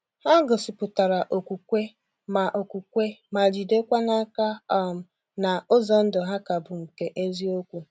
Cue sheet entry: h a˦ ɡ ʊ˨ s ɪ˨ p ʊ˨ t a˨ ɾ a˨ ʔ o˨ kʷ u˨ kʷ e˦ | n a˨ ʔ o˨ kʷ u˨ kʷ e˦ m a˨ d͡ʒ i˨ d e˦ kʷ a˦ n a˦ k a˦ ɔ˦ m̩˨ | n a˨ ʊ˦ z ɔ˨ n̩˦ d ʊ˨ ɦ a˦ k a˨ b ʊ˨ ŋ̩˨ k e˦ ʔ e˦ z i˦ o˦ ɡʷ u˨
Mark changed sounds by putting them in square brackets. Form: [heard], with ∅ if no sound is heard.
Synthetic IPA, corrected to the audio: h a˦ ɡ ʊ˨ s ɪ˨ p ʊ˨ t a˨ ɾ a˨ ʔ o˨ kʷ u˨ kʷ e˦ | [m] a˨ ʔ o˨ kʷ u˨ kʷ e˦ m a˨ d͡ʒ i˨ d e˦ kʷ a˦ n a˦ k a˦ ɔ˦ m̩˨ | n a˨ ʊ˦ z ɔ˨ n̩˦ d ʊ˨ ɦ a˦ k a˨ b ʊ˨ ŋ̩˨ k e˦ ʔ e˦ z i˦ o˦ [kʷ] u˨